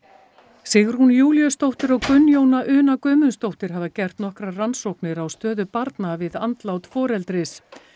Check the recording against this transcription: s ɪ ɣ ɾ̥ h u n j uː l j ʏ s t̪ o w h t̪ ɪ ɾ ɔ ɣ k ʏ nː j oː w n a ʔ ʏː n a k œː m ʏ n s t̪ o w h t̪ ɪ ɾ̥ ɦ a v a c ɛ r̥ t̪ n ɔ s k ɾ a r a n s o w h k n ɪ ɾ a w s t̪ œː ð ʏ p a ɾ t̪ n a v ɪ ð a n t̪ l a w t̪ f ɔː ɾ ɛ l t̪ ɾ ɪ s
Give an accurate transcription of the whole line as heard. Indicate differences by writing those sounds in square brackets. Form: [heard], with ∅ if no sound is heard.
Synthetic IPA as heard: s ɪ ɣ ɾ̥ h u n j uː l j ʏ s t̪ o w h t̪ ɪ ɾ ɔ ɣ k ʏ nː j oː w n a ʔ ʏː n a k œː m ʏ n s t̪ o w h t̪ ɪ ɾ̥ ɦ a v a c ɛ r̥ t̪ n ɔ [h] k ɾ a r a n s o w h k n ɪ ɾ a w s t̪ œː ð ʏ p a ɾ t̪ n a v ɪ ð a n t̪ l a w t̪ f ɔː ɾ ɛ l t̪ ɾ ɪ s